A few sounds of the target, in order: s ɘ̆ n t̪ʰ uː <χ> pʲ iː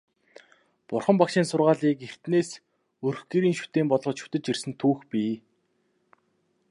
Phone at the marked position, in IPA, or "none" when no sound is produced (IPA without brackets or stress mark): x